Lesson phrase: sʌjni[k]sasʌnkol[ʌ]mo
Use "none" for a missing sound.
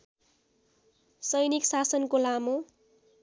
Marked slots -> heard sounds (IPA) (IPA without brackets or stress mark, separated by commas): k, a